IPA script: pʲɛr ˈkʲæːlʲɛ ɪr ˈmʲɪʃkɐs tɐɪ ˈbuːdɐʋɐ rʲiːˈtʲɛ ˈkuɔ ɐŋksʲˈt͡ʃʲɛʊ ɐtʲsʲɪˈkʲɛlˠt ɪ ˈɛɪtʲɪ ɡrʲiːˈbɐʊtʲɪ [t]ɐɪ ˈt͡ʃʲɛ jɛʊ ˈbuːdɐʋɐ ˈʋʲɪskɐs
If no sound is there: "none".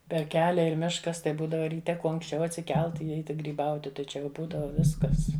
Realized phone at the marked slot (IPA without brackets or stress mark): t